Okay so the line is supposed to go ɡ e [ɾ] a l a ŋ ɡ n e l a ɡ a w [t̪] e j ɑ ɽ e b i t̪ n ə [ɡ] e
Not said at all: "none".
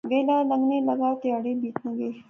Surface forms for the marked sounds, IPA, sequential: l, t̪, ɡ

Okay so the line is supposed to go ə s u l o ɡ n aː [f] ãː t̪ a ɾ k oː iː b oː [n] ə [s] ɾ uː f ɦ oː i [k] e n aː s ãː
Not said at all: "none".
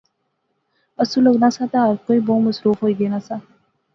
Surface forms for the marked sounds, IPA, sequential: s, m, s, ɡ

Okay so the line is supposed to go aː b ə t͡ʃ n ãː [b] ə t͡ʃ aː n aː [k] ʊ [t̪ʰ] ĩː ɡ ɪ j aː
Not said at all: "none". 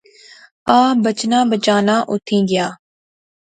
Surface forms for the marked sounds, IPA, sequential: b, ʔ, t̪ʰ

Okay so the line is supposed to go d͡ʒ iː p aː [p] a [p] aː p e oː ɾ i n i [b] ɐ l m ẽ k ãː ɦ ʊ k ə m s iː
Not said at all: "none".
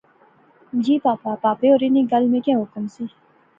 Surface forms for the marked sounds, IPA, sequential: p, p, ɡ

